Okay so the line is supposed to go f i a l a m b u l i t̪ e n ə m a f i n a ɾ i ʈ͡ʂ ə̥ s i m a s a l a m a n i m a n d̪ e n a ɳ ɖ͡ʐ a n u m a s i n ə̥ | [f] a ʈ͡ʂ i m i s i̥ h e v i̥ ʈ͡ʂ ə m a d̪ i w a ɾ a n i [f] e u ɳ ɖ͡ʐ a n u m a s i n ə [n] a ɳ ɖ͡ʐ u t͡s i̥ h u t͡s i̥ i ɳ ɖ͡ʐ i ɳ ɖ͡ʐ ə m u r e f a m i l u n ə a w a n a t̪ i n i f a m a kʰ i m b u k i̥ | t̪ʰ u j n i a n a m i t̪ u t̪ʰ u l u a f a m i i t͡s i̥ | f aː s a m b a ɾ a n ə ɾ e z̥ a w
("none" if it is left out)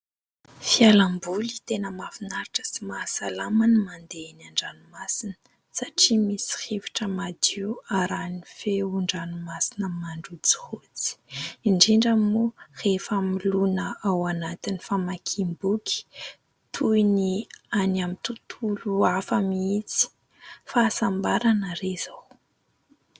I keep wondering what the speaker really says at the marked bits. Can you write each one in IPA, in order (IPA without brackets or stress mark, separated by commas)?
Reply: s, f, m